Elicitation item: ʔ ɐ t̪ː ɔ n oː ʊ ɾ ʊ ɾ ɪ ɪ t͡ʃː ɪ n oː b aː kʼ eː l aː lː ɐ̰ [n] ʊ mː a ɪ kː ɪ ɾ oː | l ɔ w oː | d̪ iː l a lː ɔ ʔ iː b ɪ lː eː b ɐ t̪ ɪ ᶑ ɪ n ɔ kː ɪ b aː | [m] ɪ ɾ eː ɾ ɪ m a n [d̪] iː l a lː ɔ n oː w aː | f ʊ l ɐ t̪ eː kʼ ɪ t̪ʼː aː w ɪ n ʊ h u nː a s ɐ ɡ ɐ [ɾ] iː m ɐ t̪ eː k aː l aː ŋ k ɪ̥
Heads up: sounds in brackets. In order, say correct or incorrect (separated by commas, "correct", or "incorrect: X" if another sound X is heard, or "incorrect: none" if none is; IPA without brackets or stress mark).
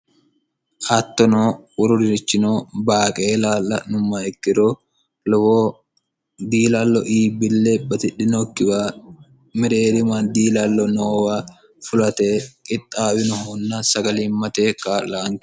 correct, correct, correct, incorrect: l